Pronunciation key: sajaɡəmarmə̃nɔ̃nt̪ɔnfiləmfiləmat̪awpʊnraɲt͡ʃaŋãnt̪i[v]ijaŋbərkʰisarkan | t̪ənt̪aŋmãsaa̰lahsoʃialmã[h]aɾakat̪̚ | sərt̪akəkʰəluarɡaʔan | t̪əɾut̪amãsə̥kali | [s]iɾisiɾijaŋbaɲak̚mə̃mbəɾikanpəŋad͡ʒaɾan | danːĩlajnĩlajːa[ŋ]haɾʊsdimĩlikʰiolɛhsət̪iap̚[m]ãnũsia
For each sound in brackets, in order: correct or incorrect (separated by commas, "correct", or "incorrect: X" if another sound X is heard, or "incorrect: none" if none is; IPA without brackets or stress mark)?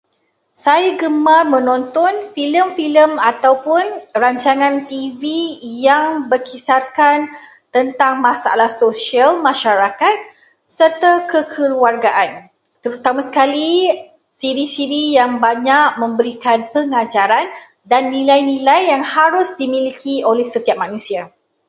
correct, incorrect: ʃ, correct, correct, correct